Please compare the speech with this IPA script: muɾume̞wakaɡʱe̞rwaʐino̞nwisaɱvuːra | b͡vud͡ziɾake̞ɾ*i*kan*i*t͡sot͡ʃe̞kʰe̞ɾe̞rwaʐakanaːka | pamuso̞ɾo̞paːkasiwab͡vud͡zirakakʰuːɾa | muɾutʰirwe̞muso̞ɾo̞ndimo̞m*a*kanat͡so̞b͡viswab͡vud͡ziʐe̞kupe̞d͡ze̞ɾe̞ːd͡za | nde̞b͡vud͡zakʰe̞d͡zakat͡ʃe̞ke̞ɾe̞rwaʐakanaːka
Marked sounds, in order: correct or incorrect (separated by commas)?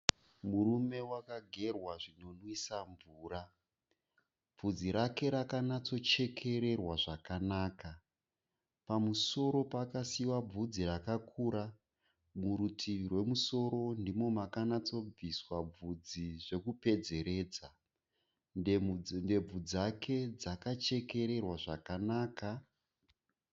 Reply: incorrect, incorrect, correct